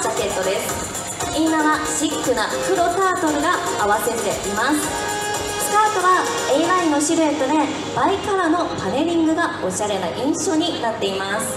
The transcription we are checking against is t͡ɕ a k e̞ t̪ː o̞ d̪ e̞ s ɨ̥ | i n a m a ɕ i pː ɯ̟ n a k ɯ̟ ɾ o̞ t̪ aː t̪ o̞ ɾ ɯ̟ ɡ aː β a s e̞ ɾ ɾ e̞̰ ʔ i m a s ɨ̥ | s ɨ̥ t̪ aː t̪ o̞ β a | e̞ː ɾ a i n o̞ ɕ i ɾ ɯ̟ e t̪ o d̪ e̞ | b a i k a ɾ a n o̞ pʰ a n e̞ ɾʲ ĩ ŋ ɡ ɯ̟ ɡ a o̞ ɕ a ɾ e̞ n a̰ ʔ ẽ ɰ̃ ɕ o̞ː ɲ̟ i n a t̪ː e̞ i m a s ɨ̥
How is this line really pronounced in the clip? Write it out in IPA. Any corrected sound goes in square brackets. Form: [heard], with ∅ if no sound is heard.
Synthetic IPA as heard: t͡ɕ a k e̞ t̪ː o̞ d̪ e̞ s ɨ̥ | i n a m a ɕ i [kː] ɯ̟ n a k ɯ̟ ɾ o̞ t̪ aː t̪ o̞ ɾ ɯ̟ ɡ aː β a s e̞ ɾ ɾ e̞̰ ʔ i m a s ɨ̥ | s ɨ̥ t̪ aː t̪ o̞ β a | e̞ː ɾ a i n o̞ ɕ i ɾ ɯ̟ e t̪ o d̪ e̞ | b a i k a ɾ a n o̞ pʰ a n e̞ ɾʲ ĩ ŋ ɡ ɯ̟ ɡ a o̞ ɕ a ɾ e̞ n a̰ ʔ [ĩ] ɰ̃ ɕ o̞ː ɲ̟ i n a t̪ː e̞ i m a s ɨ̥